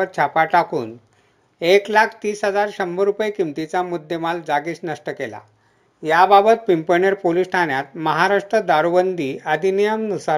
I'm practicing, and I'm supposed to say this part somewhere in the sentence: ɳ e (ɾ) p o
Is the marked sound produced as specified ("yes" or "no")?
yes